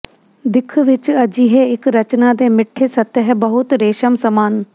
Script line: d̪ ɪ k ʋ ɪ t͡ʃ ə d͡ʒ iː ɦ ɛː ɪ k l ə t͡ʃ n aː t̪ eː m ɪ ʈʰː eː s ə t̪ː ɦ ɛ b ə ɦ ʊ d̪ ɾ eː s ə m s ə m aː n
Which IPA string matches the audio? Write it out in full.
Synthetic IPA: d̪ ɪ kʰ ʋ ɪ t͡ʃ ə d͡ʒ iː ɦ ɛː ɪ k ɾ ə t͡ʃ n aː d̪ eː m ɪ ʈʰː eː s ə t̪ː ɦ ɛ b ə ɦ ʊ t̪ ɾ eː ʃ ə m s ə m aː n